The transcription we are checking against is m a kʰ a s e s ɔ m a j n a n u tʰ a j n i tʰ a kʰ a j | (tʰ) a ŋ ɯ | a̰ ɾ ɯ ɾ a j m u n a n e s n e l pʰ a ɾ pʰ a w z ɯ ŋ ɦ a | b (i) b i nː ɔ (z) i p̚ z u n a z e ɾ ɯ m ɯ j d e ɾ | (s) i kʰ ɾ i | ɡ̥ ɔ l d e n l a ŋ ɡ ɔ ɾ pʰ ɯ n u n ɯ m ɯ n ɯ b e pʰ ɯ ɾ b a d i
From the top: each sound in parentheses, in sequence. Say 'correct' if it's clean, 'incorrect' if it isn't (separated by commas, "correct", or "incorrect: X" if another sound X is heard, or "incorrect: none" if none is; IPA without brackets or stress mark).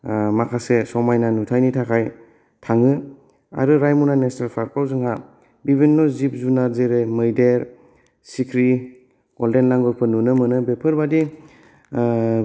correct, correct, correct, correct